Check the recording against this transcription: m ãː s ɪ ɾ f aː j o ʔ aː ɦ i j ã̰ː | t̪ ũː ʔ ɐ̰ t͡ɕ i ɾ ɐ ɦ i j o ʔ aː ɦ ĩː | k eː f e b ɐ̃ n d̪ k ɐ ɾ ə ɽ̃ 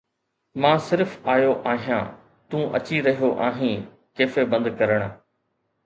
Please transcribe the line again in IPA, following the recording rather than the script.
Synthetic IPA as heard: m ãː s ɪ ɾ f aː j o ʔ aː ɦ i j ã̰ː | t̪ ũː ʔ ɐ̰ t͡ɕ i ɾ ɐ ɦ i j o ʔ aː ɦ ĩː | k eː f e b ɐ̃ n d̪ k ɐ ɾ ə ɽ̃